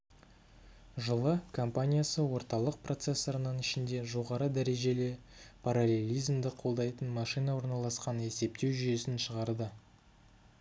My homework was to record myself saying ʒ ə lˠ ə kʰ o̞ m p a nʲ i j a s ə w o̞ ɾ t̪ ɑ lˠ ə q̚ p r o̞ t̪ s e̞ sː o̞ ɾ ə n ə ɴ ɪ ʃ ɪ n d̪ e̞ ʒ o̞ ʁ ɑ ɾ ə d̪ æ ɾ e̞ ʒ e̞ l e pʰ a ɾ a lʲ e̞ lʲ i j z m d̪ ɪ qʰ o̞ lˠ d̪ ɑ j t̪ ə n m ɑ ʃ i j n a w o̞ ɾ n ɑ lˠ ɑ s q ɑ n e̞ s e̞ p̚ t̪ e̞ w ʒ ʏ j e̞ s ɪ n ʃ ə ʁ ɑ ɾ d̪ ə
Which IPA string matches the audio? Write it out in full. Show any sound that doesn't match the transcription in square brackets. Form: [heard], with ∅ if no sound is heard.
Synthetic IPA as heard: ʒ ə lˠ ə kʰ o̞ m p a nʲ i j a s ə w o̞ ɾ t̪ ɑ lˠ ə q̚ p r o̞ t̪ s e̞ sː o̞ ɾ ə n ə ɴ ɪ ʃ ɪ n d̪ e̞ ʒ o̞ ʁ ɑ ɾ ə d̪ æ ɾ e̞ ʒ e̞ l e pʰ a ɾ a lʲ e̞ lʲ i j z m d̪ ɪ qʰ o̞ lˠ d̪ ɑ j t̪ ə n m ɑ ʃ i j n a w o̞ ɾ n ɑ lˠ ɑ s q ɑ n e̞ s e̞ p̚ t̪ e̞ w ʒ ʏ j e̞ s ɪ n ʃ ə ʁ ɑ ɾ d̪ ə